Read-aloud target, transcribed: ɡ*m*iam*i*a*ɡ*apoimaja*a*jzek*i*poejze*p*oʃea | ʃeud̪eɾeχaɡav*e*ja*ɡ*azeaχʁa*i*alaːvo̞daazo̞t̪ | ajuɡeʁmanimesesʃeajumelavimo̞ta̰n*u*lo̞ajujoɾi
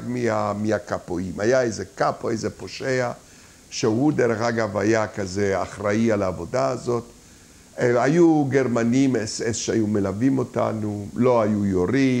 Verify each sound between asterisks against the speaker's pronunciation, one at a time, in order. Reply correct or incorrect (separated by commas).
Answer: correct, correct, incorrect, incorrect, incorrect, correct, incorrect, incorrect, correct, correct